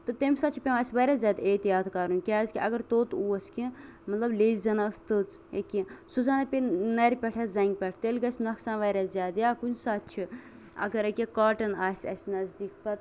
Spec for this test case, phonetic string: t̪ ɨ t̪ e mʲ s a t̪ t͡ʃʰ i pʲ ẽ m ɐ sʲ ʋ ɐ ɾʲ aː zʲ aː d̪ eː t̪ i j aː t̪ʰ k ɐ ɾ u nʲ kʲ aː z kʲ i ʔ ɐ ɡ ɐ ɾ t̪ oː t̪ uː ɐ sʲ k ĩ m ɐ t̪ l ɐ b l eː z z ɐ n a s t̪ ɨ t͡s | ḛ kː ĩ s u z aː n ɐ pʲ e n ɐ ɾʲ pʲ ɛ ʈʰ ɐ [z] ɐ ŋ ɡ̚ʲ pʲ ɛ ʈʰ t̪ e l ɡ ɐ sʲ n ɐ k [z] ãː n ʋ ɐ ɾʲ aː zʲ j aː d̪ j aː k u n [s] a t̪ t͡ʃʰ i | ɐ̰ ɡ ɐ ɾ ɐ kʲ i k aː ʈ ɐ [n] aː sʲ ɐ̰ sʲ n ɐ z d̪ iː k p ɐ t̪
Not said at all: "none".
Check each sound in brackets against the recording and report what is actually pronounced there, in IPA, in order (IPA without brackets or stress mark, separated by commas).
z, s, s, n